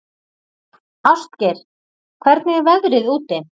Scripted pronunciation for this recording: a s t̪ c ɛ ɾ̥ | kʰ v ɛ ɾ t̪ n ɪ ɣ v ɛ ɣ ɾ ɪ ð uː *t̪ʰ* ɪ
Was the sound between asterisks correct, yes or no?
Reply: no